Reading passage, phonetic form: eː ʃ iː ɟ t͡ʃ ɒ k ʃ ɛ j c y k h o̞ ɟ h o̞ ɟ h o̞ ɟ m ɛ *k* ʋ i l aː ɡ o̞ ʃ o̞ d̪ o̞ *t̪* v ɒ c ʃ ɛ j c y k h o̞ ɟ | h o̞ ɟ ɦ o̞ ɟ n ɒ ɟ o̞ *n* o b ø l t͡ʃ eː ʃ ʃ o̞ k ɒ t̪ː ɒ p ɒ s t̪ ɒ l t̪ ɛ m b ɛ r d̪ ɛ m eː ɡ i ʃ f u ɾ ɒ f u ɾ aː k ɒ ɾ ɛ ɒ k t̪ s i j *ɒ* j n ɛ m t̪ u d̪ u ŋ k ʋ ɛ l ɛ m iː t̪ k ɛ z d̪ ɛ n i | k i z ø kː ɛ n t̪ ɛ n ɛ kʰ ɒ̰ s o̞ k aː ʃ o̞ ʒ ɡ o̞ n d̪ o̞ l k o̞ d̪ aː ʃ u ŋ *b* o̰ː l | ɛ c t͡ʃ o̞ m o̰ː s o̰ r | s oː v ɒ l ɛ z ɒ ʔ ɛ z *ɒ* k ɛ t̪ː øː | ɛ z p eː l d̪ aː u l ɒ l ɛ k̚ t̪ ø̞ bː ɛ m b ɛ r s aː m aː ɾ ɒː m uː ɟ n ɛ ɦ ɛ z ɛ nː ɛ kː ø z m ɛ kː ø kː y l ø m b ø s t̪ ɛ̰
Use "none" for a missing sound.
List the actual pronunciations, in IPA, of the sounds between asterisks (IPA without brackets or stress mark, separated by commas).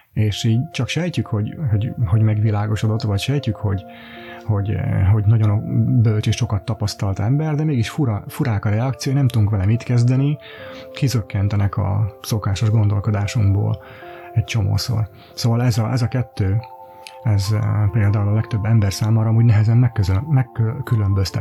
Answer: ɡ, t̪, n, o, b, ɒ